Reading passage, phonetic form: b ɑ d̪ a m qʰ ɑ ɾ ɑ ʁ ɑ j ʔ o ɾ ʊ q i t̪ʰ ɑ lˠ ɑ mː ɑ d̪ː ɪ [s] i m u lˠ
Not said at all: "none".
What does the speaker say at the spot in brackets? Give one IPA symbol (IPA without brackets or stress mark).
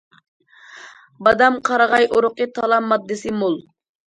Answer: s